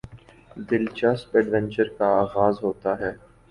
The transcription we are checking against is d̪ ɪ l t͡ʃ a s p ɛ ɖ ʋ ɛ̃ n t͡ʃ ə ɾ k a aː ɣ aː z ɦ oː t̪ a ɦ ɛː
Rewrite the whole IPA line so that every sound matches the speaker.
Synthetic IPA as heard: d̪ ɪ l t͡ʃ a s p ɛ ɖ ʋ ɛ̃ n t͡ʃ ə ɾ k a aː ɣ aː z ɦ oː t̪ a ɦ ɛː